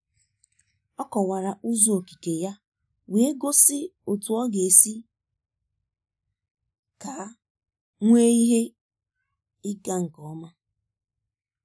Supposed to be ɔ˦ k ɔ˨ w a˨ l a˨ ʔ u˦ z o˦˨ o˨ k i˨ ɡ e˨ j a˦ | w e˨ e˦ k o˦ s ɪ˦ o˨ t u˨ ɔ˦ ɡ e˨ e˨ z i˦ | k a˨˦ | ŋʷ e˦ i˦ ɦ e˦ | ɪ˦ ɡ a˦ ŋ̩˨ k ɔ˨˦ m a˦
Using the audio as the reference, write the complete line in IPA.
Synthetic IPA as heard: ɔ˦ k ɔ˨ w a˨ ɾ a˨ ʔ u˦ z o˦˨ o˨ k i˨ k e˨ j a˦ | w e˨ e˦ ɡ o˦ s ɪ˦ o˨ t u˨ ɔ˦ ɡ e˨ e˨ s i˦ | k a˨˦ | ŋʷ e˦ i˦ ɦ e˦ | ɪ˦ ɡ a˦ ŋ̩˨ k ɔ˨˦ m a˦